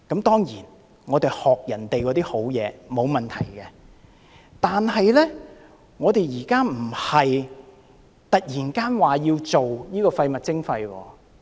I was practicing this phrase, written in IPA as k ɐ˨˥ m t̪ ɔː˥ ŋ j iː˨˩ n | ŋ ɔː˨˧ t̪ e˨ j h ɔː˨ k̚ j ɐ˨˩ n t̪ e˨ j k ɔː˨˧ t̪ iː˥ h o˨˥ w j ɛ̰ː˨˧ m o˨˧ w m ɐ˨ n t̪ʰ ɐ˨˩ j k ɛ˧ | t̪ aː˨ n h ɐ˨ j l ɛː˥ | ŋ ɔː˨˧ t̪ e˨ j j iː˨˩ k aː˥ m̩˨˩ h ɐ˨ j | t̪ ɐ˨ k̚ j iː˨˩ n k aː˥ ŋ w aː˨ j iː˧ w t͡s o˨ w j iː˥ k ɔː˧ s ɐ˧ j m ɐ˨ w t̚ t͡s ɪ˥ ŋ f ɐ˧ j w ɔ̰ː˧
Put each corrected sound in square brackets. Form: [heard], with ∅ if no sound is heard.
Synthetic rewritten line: k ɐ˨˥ m t̪ ɔː˥ ŋ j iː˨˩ n | ŋ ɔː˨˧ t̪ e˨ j h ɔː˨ k̚ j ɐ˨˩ n t̪ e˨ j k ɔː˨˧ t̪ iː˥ h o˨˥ w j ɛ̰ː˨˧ m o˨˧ w m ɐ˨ n t̪ʰ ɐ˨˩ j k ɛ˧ | t̪ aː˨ n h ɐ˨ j l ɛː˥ | ŋ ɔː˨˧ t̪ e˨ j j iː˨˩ k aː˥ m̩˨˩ h ɐ˨ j | t̪ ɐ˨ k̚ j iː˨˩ n k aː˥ [n] w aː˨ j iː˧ w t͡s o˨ w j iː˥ k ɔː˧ [f] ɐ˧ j m ɐ˨ [∅] t̚ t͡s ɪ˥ ŋ f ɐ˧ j w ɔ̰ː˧

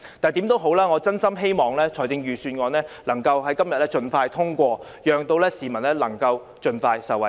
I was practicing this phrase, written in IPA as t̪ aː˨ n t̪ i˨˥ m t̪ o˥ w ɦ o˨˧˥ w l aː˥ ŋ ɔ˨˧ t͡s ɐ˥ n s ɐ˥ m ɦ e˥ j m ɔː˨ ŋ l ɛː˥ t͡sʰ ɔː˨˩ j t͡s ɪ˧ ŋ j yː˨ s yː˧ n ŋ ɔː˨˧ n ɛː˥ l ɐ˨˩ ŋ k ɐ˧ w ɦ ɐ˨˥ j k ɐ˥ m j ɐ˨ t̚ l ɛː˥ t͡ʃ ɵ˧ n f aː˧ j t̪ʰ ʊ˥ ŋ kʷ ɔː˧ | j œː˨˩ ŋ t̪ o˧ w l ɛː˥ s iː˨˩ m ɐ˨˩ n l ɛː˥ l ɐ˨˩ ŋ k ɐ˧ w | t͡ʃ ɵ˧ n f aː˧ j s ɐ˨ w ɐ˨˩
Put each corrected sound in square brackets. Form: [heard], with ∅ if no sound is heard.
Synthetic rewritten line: t̪ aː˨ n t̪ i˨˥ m t̪ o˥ w ɦ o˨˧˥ w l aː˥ ŋ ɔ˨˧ t͡s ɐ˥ n s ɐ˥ m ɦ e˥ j m ɔː˨ ŋ l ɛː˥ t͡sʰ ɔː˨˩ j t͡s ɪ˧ ŋ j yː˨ s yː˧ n ŋ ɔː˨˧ n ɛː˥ l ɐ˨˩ ŋ k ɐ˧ w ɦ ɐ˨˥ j k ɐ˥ m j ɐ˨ t̚ l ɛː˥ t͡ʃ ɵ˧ n f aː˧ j t̪ʰ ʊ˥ ŋ kʷ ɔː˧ | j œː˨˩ ŋ t̪ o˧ w l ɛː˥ s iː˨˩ m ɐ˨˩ n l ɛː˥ l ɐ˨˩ ŋ k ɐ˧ w | t͡ʃ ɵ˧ n f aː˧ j s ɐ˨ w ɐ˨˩

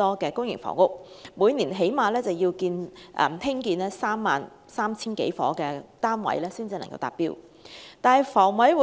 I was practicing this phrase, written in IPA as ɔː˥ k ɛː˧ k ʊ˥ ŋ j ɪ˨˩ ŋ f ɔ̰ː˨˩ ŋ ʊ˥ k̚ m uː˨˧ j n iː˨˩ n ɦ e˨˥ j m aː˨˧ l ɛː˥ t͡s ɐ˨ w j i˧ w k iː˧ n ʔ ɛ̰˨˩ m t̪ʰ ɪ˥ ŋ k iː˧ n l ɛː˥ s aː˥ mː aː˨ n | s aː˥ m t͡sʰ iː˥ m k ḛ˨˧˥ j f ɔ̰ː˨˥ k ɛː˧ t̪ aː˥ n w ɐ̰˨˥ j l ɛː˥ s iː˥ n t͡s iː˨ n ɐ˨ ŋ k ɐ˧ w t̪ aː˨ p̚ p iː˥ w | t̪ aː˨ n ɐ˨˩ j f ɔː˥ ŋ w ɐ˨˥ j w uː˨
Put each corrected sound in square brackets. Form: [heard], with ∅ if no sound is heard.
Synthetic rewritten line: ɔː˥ k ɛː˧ k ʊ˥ ŋ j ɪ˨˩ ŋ f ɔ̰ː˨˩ ŋ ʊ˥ k̚ m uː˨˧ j n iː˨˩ n ɦ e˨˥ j m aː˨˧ l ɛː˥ t͡s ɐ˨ w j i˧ w k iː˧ n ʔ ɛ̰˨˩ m t̪ʰ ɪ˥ ŋ k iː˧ n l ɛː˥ s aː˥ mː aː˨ n | s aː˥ m t͡sʰ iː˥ [n] k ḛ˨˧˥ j f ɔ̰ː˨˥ k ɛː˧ t̪ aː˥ n w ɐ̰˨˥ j l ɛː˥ s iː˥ n t͡s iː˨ n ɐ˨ ŋ k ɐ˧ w t̪ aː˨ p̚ p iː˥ w | t̪ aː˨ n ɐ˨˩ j f [ɔː˨˩] ŋ w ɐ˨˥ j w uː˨

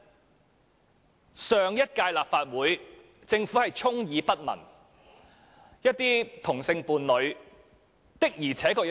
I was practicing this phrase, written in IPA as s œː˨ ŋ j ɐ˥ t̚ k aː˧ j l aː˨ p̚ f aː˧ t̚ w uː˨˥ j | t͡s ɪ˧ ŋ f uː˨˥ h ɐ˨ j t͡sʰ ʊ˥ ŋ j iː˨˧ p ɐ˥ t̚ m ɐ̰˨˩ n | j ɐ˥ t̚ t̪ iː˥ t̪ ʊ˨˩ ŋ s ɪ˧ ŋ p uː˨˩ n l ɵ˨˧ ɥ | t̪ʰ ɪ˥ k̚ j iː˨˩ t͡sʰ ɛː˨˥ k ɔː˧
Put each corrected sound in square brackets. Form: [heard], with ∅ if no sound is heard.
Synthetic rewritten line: s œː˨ ŋ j ɐ˥ t̚ k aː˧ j l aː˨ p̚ f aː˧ t̚ w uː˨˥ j | t͡s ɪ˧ ŋ f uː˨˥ h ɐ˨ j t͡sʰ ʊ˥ ŋ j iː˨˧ p ɐ˥ t̚ m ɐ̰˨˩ n | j ɐ˥ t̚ t̪ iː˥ [t̪ʰ] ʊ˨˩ ŋ s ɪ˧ ŋ p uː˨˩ n l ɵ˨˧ ɥ | [t̪] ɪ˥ k̚ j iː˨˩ t͡sʰ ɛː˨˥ k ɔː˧

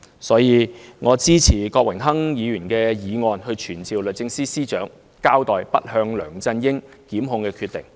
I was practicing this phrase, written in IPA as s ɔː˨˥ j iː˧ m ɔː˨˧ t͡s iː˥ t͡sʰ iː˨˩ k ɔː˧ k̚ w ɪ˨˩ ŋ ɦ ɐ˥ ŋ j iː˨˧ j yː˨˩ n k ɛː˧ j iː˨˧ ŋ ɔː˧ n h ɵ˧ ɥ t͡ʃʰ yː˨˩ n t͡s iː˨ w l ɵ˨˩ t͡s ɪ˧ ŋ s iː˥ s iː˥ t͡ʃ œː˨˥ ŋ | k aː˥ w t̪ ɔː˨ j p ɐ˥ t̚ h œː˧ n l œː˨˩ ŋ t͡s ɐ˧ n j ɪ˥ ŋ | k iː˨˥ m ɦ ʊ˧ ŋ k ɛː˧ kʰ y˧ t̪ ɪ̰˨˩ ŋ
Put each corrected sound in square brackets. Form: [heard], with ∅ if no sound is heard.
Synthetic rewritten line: s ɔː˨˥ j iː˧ [ŋ] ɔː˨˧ t͡s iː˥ t͡sʰ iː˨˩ k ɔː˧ k̚ w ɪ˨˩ ŋ ɦ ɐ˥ ŋ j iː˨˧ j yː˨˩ n k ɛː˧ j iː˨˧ ŋ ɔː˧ n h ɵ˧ ɥ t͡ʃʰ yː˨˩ n t͡s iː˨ w l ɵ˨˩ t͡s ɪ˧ ŋ s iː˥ s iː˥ t͡ʃ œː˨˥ ŋ | k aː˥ w t̪ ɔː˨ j p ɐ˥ t̚ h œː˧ [ŋ] l œː˨˩ ŋ t͡s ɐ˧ n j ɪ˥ ŋ | k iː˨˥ m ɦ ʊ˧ ŋ k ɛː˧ kʰ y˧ t̪ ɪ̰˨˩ ŋ

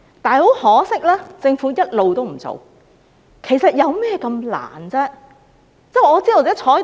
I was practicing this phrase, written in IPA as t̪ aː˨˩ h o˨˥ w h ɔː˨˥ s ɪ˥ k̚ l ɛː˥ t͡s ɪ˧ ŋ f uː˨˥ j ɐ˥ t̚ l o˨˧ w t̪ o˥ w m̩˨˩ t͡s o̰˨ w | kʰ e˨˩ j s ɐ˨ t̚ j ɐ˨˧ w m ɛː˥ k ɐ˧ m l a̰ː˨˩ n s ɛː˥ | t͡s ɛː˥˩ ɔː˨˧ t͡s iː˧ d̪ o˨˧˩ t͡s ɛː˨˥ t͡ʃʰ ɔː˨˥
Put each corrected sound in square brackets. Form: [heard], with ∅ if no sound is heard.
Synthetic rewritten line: t̪ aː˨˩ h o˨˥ w h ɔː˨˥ s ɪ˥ k̚ l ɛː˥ t͡s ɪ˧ ŋ f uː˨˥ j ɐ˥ t̚ l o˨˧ w t̪ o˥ w m̩˨˩ t͡s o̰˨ w | kʰ e˨˩ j s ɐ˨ t̚ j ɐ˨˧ w m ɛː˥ k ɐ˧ m l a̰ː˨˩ n [t͡s] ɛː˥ | t͡s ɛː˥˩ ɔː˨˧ t͡s [iː˥] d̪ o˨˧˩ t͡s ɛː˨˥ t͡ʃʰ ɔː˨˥

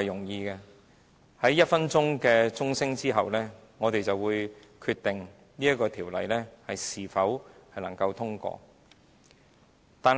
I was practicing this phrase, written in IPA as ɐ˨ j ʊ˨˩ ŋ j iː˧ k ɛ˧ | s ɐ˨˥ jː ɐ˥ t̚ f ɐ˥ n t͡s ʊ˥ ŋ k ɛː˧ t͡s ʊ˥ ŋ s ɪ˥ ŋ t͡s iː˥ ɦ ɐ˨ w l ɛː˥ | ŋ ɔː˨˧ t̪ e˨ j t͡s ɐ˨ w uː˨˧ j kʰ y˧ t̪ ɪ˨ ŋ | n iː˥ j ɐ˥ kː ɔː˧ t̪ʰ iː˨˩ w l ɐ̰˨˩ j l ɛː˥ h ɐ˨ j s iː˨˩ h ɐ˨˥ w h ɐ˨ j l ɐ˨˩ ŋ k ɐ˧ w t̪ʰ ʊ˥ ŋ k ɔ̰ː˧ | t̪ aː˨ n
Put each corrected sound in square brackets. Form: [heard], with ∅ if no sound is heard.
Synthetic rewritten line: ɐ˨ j ʊ˨˩ ŋ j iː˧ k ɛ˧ | [h] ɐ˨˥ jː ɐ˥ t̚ f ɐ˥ n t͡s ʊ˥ ŋ k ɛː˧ t͡s ʊ˥ ŋ s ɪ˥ ŋ t͡s iː˥ ɦ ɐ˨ w l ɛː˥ | ŋ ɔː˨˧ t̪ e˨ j t͡s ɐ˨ w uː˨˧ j kʰ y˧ t̪ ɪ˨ ŋ | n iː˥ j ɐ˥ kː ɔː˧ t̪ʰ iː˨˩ w l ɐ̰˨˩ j l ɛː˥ h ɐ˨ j s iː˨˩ [f] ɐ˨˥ w h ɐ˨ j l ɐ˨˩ ŋ k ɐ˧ w t̪ʰ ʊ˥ ŋ k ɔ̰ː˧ | t̪ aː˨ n

